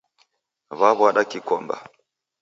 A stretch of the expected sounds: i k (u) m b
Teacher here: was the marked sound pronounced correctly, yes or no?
no